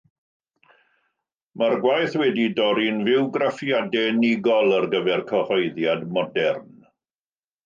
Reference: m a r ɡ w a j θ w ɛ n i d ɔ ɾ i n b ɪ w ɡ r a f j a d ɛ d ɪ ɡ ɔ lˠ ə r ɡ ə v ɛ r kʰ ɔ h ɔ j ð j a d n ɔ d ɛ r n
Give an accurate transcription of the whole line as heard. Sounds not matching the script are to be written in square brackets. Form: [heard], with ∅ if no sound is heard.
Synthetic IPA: m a r ɡ w a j θ w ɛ [d] i d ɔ ɾ i n [v] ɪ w ɡ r a f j a d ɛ [n] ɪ ɡ ɔ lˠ ə r ɡ ə v ɛ r kʰ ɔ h ɔ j ð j a d [m] ɔ d ɛ r n